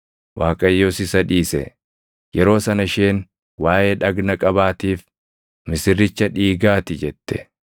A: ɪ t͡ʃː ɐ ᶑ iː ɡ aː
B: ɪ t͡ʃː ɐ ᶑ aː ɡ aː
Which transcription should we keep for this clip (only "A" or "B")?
A